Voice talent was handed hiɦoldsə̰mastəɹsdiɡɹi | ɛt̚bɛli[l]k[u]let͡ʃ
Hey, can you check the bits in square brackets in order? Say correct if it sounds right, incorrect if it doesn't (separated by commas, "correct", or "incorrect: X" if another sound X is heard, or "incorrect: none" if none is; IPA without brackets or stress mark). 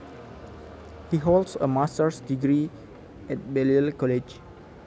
correct, incorrect: ɔ